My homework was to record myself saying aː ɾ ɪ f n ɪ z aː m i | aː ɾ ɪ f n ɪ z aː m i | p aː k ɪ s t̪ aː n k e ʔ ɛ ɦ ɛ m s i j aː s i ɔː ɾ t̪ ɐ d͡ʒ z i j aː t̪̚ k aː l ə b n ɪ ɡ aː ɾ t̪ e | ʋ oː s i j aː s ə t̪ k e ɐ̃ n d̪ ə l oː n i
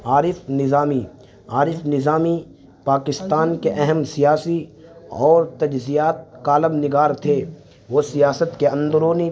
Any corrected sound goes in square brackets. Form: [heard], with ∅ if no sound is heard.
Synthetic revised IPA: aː ɾ ɪ f n ɪ z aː m i | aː ɾ ɪ f n ɪ z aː m i | p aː k ɪ s t̪ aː n k e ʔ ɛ ɦ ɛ m s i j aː s i ɔː ɾ t̪ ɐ d͡ʒ z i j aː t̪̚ k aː l ə b n ɪ ɡ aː ɾ [t̪ʰ] e | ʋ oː s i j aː s ə t̪ k e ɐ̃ n d̪ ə [ɾ] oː n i